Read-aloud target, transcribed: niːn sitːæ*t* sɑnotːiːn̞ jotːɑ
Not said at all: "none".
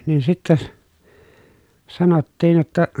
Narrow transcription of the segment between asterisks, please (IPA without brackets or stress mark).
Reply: s